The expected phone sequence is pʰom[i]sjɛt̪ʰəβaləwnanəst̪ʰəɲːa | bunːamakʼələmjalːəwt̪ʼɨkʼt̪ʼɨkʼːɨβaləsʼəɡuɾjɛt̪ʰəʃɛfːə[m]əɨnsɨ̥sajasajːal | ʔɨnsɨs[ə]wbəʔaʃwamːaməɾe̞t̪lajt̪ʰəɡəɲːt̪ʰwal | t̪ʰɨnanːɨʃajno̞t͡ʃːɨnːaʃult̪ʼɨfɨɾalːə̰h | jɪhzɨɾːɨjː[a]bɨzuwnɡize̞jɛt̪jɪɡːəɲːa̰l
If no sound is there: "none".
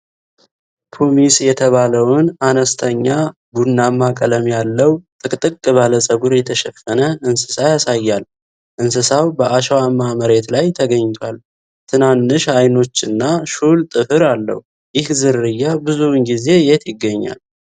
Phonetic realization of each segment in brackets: i, n, a, a

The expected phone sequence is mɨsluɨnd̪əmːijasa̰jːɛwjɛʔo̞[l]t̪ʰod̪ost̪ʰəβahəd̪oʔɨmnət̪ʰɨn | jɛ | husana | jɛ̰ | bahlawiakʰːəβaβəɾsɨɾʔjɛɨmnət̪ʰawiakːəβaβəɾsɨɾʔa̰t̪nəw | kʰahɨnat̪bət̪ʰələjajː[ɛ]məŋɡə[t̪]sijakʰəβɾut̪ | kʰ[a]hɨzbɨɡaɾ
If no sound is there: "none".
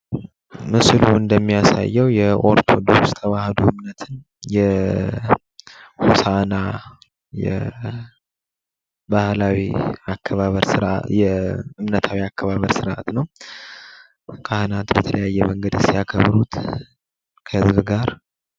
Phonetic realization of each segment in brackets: ɾ, ɛ, d̪, ə

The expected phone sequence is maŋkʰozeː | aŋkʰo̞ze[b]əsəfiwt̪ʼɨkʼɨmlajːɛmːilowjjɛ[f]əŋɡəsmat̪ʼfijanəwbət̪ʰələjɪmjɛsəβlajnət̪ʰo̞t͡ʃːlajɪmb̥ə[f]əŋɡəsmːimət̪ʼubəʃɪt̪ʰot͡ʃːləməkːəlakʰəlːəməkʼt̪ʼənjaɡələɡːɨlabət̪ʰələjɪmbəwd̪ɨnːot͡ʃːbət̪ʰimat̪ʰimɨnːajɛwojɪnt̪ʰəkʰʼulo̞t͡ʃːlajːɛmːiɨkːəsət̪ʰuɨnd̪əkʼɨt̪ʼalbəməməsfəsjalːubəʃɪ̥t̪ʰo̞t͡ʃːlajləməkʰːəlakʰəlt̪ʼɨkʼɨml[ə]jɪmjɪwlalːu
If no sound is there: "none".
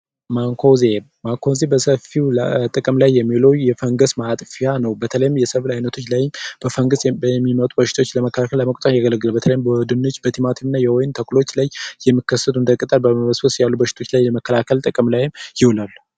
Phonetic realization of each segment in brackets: b, f, f, a

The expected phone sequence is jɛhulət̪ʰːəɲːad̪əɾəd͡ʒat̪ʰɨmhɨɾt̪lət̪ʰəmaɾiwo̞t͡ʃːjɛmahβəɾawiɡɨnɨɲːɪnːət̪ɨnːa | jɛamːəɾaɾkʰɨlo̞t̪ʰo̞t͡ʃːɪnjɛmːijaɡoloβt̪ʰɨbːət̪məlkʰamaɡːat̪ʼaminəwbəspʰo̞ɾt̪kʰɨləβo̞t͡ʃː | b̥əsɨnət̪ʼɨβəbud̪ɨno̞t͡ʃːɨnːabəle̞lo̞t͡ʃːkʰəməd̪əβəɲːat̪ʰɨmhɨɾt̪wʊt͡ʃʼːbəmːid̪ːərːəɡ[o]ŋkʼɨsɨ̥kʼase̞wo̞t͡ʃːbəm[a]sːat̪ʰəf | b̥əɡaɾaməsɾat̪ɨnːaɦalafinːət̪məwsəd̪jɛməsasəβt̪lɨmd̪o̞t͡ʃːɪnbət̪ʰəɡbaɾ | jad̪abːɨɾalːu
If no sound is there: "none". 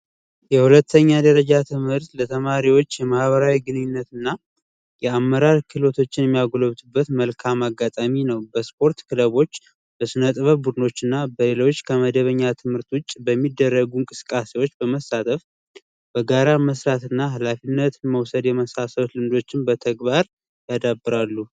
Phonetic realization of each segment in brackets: u, ə

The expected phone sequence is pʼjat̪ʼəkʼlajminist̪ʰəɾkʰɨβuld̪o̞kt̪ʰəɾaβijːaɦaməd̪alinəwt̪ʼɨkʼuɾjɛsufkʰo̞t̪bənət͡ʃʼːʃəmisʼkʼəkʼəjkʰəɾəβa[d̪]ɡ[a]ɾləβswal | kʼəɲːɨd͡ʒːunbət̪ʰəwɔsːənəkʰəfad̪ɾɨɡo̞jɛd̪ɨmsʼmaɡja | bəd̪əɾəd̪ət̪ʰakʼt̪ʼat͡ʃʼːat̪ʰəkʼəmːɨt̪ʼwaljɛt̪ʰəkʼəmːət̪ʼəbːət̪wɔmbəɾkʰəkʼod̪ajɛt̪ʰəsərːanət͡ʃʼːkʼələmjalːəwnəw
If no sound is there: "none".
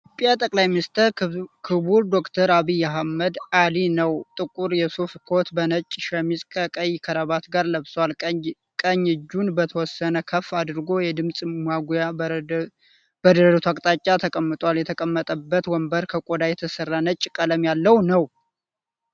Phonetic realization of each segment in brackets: t̪, a

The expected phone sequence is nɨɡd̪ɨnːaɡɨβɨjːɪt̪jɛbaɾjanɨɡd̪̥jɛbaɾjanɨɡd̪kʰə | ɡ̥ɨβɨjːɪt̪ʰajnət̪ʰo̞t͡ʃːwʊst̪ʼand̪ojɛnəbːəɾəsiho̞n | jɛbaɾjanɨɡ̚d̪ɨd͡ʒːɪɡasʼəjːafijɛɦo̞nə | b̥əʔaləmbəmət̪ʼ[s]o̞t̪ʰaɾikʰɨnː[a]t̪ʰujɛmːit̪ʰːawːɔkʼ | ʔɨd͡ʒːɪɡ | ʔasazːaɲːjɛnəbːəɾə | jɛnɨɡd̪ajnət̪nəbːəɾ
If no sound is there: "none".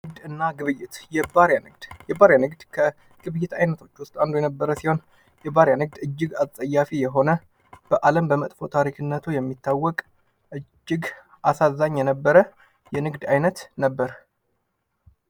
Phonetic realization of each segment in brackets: f, ə

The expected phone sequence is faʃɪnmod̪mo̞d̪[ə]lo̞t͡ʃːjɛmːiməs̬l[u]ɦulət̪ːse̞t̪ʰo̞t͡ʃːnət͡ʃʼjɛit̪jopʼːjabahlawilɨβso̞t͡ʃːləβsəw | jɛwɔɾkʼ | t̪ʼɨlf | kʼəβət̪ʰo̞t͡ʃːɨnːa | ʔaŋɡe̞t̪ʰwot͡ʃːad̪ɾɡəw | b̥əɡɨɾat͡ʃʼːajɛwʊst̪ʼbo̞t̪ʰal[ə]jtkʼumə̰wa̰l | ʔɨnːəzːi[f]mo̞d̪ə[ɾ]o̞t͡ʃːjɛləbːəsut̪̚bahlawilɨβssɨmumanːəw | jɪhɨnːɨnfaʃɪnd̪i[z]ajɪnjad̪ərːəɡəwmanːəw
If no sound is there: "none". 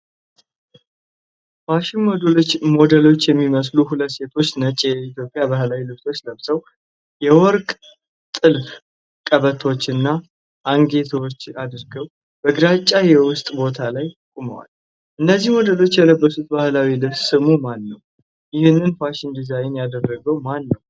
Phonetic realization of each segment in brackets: ə, u, a, h, l, z

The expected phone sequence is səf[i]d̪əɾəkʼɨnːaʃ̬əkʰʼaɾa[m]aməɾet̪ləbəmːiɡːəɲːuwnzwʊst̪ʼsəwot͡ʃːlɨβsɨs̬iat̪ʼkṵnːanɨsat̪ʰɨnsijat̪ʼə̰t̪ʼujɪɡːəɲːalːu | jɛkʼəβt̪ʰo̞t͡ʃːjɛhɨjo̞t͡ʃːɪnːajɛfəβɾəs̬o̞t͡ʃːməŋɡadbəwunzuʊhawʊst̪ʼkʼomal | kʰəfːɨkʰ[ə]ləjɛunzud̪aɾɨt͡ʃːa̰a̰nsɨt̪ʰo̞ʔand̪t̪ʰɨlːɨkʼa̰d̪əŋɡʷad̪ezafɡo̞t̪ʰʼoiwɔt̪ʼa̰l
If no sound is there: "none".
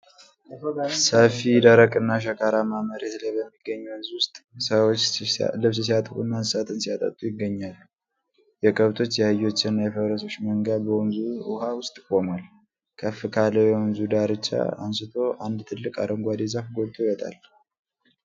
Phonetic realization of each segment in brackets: i, m, a

